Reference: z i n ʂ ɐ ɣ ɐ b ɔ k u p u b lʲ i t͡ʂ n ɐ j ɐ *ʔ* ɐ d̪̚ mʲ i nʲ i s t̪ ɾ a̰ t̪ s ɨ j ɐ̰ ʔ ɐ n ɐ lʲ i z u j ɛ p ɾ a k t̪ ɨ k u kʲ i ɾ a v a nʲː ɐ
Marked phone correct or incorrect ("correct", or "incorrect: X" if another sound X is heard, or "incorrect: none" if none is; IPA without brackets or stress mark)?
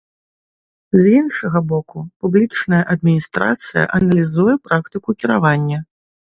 correct